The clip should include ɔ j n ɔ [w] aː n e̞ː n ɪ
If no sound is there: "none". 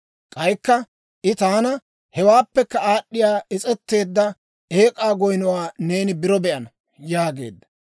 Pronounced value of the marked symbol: w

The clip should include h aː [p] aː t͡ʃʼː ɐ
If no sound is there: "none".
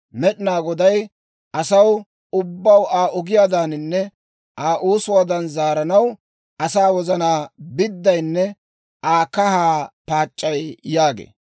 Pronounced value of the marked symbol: p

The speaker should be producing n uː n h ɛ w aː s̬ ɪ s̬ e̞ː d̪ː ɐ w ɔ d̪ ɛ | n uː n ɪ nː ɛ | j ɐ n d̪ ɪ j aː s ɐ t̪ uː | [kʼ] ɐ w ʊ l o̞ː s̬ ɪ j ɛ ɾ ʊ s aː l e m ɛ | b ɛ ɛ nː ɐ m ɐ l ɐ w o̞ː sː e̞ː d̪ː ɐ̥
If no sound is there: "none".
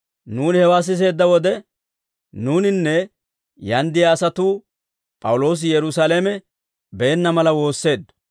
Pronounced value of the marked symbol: pʼ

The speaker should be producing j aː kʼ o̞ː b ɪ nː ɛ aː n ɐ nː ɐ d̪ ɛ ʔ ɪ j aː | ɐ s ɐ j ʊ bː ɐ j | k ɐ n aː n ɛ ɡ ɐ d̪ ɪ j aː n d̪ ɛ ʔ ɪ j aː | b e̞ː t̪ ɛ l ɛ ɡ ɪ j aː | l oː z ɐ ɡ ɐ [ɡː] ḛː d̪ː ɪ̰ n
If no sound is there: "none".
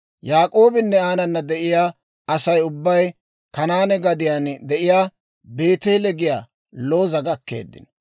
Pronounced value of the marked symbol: kː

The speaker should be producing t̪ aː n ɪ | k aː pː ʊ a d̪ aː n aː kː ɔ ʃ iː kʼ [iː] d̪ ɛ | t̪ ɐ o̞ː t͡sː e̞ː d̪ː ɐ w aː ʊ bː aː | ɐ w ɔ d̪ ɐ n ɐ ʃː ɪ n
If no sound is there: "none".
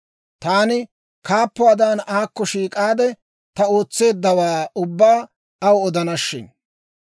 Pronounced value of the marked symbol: aː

